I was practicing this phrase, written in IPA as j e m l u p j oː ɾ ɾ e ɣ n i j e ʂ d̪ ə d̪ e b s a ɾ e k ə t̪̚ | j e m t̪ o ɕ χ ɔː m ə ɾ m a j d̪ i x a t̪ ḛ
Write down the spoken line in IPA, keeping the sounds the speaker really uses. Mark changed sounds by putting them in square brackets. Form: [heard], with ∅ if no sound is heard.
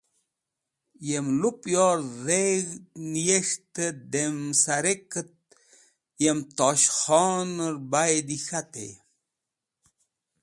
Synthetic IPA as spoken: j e m l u p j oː ɾ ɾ e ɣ n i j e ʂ [t̪] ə d̪ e [m] s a ɾ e k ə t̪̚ | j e m t̪ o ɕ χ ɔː [n] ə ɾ [b] a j d̪ i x a t̪ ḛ